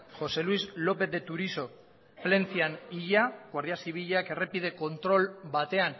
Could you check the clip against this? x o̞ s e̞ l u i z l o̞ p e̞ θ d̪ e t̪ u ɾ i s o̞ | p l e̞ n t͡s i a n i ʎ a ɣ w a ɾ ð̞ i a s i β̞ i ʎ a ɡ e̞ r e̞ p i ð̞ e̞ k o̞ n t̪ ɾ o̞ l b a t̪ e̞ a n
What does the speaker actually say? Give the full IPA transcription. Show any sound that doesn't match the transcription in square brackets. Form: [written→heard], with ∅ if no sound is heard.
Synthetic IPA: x o̞ s e̞ l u i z l o̞ p e̞ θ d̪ e t̪ u ɾ i s o̞ | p l e̞ n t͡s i a n i ʎ a ɣ w a ɾ ð̞ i a s i β̞ i ʎ a [ɡ→k] e̞ r e̞ p i ð̞ e̞ k o̞ n t̪ ɾ o̞ l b a t̪ e̞ a n